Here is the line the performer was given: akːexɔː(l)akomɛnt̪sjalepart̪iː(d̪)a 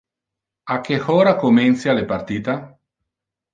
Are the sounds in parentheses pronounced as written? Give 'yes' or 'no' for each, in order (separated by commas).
no, no